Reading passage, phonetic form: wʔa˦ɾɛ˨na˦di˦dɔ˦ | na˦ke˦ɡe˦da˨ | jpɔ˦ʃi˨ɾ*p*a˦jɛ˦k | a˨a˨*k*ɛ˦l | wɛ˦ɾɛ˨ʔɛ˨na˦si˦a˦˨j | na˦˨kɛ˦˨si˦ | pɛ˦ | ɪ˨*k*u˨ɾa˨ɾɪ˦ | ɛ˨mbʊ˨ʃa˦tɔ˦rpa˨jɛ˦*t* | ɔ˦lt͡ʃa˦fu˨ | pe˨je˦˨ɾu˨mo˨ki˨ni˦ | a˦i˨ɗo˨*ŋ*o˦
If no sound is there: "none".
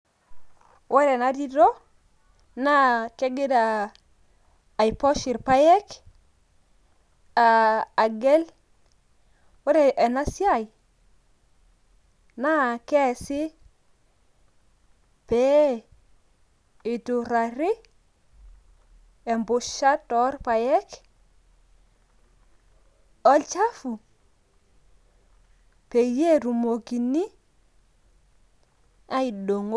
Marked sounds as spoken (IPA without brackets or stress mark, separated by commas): p, ɡ, t, k, ŋ